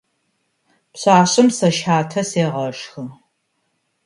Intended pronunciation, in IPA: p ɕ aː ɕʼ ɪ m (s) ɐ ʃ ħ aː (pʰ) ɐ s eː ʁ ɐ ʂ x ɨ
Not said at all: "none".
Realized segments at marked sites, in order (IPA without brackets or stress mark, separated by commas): s, tʰ